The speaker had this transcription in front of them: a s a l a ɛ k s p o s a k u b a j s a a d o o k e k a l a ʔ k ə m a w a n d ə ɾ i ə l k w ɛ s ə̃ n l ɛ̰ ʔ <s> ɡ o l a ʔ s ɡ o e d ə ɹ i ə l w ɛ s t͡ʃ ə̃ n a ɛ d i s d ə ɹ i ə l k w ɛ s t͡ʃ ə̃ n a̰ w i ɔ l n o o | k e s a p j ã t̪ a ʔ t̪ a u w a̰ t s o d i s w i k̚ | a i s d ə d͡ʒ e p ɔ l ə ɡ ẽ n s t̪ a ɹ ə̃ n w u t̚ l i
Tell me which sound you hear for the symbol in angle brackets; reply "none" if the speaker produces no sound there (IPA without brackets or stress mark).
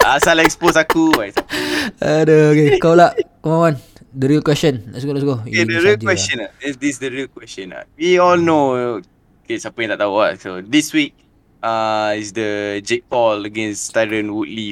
s